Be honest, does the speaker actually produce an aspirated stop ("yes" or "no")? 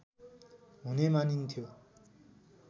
yes